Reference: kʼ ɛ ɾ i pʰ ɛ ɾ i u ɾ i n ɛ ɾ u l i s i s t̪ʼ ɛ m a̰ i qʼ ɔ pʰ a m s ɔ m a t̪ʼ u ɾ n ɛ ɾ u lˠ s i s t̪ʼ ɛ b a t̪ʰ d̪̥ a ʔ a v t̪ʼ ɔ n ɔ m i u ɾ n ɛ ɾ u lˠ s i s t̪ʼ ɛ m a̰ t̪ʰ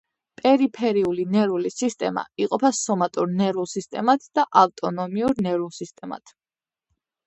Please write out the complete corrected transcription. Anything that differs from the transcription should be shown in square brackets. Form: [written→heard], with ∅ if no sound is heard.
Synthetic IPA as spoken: [kʼ→pʼ] ɛ ɾ i pʰ ɛ ɾ i u [ɾ→l] i n ɛ ɾ u l i s i s t̪ʼ ɛ m a̰ i qʼ ɔ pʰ a [m→∅] s ɔ m a t̪ʼ u ɾ n ɛ ɾ u lˠ s i s t̪ʼ ɛ [b→m] a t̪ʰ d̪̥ a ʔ a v t̪ʼ ɔ n ɔ m i u ɾ n ɛ ɾ u lˠ s i s t̪ʼ ɛ m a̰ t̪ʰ